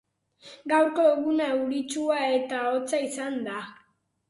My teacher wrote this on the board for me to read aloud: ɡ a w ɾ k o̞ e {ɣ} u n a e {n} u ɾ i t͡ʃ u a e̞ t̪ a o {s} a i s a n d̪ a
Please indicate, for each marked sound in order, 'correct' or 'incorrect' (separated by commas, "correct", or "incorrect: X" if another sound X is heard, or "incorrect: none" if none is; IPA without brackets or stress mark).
correct, incorrect: none, incorrect: t͡s